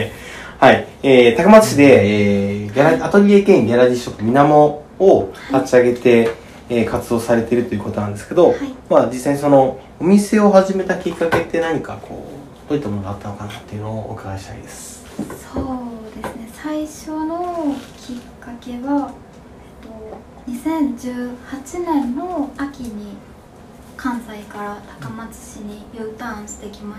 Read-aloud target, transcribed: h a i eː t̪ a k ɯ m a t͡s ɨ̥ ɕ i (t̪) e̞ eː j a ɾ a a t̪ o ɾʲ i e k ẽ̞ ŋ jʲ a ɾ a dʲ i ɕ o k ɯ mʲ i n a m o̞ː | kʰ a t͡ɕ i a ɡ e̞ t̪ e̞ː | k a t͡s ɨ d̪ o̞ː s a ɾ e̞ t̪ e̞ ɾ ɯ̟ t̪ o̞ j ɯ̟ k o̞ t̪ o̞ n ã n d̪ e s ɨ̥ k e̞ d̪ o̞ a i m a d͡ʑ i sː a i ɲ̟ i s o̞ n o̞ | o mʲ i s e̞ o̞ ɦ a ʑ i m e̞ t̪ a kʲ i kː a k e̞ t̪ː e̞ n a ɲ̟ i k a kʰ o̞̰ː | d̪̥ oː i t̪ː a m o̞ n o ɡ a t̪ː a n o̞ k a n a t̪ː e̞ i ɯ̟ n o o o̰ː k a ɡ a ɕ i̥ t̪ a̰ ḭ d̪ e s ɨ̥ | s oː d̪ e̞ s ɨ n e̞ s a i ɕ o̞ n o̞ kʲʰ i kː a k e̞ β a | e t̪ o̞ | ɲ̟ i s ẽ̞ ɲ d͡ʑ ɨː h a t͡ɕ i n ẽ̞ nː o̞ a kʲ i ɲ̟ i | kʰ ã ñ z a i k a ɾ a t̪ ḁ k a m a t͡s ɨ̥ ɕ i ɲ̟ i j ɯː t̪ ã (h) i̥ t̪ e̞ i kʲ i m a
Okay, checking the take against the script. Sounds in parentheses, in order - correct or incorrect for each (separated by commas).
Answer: incorrect, incorrect